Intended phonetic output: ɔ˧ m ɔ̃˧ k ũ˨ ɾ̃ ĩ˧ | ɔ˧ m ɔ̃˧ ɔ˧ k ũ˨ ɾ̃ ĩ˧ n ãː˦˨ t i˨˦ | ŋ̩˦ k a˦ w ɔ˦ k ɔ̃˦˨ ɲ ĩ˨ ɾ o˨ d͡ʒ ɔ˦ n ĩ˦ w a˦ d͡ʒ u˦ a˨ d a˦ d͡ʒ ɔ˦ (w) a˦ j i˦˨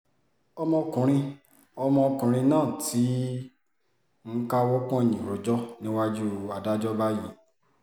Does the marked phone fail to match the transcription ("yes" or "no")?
yes